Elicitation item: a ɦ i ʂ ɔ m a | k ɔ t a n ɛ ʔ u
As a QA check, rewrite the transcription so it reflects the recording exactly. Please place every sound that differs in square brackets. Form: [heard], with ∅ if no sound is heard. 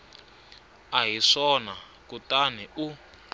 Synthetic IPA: a ɦ i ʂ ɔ [n] a | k [u] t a n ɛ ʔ u